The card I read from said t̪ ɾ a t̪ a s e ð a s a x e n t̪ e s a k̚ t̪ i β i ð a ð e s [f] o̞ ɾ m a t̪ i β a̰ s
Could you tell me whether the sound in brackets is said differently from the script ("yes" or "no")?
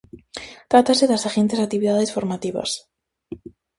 no